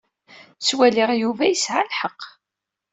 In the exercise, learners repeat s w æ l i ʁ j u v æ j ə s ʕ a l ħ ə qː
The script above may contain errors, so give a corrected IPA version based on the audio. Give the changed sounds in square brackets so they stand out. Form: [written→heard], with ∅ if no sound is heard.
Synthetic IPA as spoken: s w æ l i ʁ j u v æ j ə s ʕ a l ħ ə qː